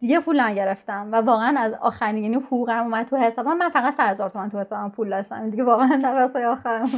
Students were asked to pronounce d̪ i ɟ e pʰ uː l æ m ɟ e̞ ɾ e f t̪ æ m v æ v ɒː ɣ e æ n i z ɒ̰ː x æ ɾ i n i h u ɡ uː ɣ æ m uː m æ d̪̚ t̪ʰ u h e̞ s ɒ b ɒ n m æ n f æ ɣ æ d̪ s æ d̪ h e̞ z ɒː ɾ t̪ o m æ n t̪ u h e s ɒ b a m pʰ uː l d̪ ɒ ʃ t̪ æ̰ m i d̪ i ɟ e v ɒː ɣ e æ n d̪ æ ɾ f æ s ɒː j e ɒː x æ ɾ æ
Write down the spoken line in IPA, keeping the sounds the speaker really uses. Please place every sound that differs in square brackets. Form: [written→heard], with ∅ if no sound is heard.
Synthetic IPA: d̪ i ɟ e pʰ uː l æ m ɟ e̞ ɾ e f t̪ æ m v æ v ɒː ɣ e æ n [i→æ] z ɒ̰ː x æ ɾ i n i h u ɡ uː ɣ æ m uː m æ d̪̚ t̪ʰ u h e̞ s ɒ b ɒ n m æ n f æ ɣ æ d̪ s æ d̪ h e̞ z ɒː ɾ t̪ o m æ n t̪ u h e s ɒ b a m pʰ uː l d̪ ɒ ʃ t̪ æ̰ m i d̪ i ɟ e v ɒː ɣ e æ n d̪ æ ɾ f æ s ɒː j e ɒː x æ ɾ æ